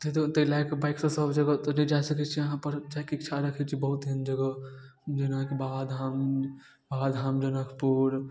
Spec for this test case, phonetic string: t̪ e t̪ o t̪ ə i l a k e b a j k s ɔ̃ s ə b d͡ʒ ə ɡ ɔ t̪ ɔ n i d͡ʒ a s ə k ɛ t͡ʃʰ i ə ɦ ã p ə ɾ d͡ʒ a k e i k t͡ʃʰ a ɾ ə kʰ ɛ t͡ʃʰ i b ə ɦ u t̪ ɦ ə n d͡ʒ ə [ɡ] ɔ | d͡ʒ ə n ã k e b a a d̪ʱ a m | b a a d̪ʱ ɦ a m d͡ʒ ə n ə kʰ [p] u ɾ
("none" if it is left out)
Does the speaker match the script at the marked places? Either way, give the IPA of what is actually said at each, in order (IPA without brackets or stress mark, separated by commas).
ɡ, p